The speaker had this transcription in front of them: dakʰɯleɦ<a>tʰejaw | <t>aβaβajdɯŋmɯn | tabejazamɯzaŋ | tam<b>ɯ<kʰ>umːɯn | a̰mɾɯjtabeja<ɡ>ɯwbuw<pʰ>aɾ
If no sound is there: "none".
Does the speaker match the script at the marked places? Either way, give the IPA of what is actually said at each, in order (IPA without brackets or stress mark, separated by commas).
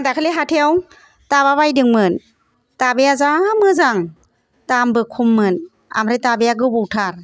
a, t, b, kʰ, ɡ, tʰ